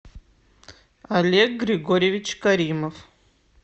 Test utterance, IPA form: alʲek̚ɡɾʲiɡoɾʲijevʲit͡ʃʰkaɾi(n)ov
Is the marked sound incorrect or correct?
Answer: incorrect: m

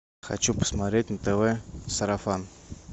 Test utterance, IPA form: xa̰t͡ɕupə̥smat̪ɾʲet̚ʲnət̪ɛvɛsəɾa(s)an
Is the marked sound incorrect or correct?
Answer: incorrect: f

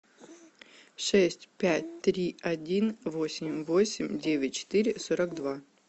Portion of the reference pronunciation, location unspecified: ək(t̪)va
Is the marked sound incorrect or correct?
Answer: incorrect: d̪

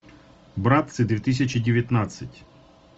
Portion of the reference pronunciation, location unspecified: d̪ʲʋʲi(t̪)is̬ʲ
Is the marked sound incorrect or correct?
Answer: correct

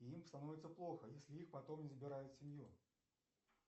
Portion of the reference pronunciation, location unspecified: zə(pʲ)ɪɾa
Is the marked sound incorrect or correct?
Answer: incorrect: bʲ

